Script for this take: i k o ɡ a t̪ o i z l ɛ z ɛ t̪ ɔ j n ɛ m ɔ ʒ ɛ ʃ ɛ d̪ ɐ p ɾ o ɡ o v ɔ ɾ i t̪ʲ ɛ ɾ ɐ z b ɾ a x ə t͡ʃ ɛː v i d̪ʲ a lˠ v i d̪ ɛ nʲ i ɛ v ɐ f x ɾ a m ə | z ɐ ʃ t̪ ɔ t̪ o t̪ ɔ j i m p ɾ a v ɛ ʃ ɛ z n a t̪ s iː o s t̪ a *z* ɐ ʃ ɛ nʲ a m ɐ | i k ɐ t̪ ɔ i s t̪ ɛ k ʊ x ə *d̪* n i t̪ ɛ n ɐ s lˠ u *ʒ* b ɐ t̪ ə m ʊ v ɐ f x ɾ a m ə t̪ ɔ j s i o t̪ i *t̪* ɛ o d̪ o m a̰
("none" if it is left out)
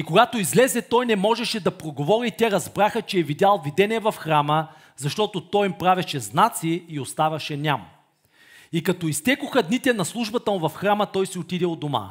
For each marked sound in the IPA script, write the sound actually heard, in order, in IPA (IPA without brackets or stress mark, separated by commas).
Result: v, d̪, ʒ, d̪